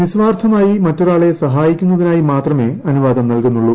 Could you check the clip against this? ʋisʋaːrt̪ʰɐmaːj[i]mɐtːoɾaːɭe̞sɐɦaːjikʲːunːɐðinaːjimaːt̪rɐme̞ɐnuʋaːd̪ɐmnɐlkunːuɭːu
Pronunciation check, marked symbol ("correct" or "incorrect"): correct